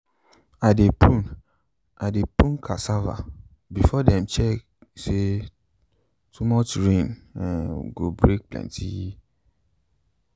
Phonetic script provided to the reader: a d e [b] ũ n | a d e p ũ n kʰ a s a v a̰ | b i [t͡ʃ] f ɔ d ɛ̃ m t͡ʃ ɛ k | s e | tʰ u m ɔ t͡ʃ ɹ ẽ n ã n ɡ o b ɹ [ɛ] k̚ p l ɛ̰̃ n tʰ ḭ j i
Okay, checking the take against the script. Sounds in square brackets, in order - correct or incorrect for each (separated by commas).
incorrect, incorrect, incorrect